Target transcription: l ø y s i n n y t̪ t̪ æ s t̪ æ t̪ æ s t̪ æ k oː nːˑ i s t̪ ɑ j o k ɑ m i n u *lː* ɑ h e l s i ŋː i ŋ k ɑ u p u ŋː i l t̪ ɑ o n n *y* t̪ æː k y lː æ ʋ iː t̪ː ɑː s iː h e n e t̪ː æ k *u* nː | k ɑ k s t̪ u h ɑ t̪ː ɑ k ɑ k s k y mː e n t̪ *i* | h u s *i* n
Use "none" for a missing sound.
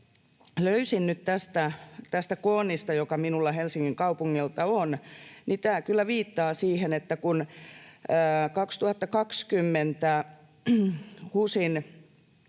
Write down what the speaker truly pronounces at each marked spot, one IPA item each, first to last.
lː, i, u, æ, i

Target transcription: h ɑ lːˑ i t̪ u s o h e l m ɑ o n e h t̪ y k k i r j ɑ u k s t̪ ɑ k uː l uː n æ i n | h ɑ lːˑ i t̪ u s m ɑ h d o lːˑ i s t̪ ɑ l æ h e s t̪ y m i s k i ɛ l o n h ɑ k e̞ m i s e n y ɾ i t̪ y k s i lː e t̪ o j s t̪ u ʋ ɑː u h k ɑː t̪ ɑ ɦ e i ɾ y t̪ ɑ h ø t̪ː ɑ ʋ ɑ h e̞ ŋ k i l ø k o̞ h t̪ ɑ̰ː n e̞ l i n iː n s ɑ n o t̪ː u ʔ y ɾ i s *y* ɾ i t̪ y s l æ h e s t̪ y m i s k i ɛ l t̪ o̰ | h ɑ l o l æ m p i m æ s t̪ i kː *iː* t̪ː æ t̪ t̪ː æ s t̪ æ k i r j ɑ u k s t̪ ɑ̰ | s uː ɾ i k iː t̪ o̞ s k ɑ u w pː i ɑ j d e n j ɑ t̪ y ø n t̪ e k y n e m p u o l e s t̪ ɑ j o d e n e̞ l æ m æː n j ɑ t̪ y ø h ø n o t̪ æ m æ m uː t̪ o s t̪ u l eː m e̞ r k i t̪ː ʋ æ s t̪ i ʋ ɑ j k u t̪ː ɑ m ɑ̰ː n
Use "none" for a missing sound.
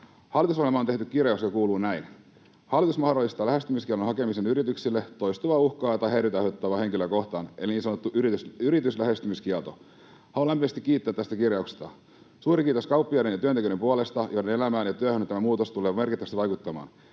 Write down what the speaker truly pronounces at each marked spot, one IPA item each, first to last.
y, iː

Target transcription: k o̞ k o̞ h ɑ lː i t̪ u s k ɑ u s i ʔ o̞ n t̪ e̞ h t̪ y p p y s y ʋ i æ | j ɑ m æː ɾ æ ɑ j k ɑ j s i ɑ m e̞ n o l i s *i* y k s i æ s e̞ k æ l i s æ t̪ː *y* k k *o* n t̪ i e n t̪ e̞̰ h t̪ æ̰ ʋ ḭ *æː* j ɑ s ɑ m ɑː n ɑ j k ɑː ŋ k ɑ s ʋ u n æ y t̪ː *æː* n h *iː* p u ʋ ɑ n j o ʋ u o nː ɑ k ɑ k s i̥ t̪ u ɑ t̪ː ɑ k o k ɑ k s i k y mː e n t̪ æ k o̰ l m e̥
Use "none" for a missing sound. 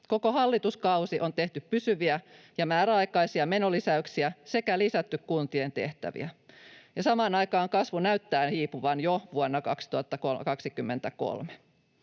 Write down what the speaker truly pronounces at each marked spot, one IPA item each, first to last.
æ, y, u, æ, æː, iː

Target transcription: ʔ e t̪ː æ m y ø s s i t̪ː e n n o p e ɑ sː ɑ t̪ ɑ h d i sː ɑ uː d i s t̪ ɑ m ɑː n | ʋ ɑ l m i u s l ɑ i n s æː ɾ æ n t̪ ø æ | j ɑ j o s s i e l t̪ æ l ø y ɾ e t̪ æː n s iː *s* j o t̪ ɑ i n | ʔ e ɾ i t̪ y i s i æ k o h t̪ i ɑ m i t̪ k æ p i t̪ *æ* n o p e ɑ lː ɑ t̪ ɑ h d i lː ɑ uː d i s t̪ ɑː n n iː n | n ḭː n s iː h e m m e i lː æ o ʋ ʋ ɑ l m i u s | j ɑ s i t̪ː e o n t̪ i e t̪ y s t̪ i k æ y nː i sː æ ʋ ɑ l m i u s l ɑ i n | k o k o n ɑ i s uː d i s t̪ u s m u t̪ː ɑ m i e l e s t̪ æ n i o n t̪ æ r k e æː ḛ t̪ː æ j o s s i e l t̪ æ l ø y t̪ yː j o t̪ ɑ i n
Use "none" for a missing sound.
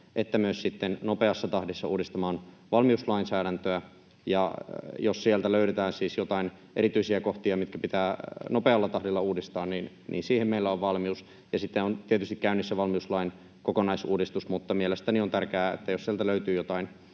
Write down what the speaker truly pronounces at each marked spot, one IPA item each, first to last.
s, æː

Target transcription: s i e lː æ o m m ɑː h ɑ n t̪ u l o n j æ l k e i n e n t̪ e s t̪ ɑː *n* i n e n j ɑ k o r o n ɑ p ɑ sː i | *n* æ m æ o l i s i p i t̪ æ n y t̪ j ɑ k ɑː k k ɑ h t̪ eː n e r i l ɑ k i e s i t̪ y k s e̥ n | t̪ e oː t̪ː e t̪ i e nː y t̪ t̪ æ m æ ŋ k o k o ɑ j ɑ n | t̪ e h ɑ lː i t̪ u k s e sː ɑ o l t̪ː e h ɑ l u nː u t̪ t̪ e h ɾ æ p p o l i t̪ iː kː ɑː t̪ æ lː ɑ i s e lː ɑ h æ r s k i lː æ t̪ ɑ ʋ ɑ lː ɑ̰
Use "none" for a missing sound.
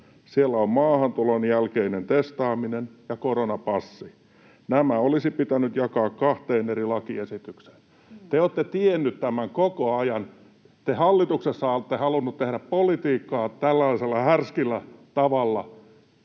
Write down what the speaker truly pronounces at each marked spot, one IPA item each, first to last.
m, n

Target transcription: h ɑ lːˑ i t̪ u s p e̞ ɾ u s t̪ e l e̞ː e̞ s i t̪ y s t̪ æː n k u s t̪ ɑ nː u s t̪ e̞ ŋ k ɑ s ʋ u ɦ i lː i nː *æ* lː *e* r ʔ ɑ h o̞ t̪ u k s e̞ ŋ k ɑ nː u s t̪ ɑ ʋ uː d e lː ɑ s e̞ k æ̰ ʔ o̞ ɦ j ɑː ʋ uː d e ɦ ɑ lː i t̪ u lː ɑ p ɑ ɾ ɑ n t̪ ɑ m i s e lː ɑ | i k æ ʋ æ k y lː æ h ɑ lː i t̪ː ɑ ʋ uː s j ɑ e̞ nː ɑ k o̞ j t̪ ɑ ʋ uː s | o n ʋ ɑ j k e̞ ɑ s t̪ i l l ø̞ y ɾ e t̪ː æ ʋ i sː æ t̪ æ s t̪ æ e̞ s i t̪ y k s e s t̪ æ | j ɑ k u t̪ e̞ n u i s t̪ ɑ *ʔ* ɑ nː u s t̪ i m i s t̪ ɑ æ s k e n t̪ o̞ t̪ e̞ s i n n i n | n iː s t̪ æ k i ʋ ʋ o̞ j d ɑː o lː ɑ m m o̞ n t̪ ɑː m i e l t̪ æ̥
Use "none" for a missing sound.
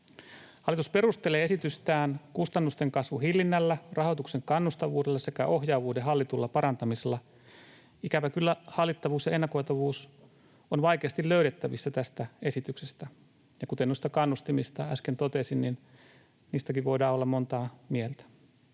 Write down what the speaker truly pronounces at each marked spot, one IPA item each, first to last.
æ, æ, k

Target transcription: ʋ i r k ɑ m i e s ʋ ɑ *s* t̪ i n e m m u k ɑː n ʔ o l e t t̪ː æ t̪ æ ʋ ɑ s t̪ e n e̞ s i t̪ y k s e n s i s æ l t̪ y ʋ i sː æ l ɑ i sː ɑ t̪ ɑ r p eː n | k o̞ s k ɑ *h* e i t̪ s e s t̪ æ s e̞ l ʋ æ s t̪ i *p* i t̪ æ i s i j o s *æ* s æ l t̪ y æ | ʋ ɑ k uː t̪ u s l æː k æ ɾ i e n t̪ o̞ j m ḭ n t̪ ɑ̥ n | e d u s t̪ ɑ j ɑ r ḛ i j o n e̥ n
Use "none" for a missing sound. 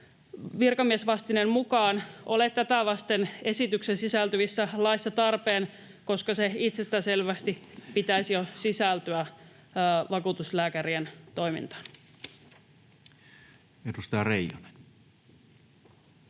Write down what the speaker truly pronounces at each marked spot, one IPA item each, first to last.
s, s, p, i

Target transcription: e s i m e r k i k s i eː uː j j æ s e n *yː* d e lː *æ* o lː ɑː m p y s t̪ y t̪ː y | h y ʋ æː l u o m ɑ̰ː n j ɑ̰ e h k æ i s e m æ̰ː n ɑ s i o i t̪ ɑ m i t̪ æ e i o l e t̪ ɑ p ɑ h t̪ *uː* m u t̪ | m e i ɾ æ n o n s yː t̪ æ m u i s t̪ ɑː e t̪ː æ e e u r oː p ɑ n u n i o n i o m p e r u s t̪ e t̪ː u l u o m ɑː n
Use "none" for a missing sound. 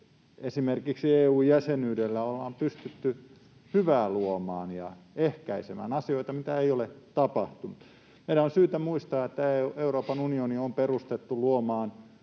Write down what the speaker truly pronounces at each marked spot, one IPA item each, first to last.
yː, æ, u

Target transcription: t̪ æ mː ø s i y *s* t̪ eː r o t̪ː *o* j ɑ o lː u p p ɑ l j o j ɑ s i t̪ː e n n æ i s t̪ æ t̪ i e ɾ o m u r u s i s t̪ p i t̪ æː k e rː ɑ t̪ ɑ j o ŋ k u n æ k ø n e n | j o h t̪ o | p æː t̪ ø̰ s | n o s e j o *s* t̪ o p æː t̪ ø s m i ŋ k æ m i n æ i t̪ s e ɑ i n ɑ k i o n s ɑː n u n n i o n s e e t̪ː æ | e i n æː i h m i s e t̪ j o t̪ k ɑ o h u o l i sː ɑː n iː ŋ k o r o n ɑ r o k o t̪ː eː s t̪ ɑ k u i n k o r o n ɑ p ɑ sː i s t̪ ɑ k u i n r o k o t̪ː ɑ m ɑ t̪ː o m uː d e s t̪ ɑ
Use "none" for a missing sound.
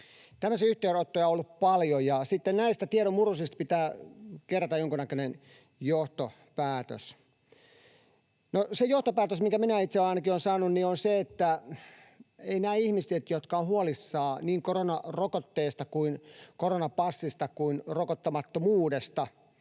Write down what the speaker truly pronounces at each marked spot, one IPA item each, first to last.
h, o, h

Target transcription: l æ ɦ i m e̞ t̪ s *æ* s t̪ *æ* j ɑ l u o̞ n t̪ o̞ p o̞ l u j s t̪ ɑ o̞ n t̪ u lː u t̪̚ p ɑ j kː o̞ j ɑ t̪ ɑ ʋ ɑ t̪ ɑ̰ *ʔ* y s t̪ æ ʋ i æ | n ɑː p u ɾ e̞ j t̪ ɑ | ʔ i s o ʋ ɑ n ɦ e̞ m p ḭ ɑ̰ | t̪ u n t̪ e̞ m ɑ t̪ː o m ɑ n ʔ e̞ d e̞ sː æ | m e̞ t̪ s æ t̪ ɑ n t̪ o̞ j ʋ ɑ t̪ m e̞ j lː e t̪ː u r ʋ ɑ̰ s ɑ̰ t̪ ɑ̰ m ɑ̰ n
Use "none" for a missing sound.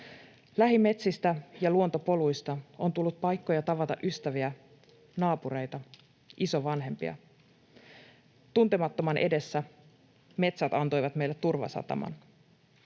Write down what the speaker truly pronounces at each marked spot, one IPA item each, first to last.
i, æ, ʔ

